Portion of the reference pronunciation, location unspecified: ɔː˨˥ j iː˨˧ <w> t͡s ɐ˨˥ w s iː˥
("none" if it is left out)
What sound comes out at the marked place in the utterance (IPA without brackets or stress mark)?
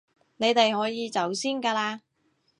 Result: none